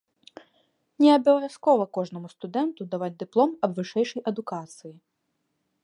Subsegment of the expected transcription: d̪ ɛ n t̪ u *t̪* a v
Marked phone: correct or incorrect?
incorrect